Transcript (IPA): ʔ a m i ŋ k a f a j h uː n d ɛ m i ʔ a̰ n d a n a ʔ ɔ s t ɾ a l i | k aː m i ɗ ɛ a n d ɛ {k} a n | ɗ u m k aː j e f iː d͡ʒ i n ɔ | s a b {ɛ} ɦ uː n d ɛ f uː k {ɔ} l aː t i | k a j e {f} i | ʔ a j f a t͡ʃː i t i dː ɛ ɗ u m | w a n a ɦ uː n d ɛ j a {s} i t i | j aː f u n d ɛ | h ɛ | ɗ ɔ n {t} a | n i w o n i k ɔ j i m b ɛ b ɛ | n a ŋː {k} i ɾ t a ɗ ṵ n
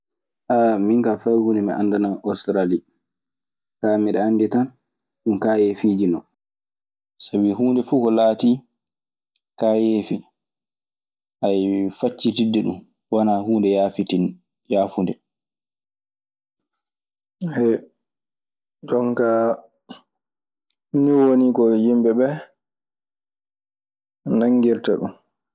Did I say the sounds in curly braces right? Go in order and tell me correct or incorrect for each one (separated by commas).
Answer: incorrect, incorrect, correct, correct, incorrect, incorrect, incorrect